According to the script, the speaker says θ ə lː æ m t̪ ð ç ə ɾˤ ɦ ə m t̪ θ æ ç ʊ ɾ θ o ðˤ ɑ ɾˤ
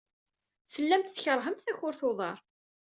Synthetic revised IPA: θ ə lː æ m t̪ θ ç ə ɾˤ ɦ ə m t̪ θ æ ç ʊ ɾ θ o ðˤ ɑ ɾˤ